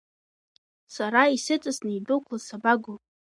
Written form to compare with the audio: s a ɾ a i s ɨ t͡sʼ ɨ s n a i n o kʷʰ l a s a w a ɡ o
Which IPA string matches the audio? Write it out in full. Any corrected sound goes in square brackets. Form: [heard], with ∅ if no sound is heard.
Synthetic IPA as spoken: s a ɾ a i s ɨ t͡sʼ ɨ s n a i [d] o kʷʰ l a s a [b] a ɡ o